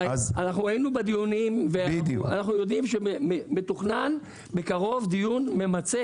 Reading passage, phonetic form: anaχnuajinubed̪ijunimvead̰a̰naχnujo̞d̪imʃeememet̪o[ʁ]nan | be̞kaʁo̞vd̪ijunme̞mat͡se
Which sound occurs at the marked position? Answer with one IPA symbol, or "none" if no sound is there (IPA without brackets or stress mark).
χ